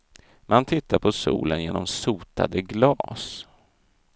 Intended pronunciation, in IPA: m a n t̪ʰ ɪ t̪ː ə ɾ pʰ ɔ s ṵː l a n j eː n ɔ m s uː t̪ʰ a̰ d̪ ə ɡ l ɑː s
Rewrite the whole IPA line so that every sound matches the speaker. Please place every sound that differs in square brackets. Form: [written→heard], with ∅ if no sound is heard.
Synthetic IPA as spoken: m a n t̪ʰ ɪ t̪ː [ə→a] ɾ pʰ ɔ s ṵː l [a→ə] n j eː n ɔ m s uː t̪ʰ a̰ d̪ ə ɡ l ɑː s